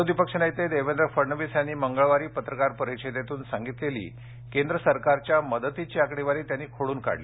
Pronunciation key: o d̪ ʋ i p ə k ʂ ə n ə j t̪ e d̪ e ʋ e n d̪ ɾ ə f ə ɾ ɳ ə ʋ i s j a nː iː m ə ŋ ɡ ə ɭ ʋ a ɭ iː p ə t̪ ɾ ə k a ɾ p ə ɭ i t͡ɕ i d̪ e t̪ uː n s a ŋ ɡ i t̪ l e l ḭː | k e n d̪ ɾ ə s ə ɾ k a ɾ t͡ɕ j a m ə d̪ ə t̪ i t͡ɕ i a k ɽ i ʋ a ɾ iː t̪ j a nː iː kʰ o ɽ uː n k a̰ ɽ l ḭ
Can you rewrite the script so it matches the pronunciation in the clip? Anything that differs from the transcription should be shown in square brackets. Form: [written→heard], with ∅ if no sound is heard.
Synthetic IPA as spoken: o d̪ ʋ i p ə k ʂ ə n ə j t̪ e d̪ e ʋ e n d̪ ɾ ə f ə ɾ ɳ ə ʋ i s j a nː iː m ə ŋ ɡ ə ɭ ʋ a [ɭ→ɾ] iː p ə t̪ ɾ ə k a ɾ p ə [ɭ→ɾ] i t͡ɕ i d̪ e t̪ uː n s a ŋ ɡ i t̪ l e l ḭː | k e n d̪ ɾ ə s ə ɾ k a ɾ t͡ɕ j a m ə d̪ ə t̪ i t͡ɕ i a k ɽ i ʋ a ɾ iː t̪ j a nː iː kʰ o ɽ uː n k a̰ ɽ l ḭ